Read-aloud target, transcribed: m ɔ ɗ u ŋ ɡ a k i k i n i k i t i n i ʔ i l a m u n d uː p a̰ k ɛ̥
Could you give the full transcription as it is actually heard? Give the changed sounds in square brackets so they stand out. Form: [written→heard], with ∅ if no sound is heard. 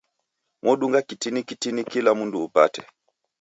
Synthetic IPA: m ɔ ɗ u ŋ ɡ a k i [k→t] i n i k i t i n i [ʔ→k] i l a m u n d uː p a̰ [k→t] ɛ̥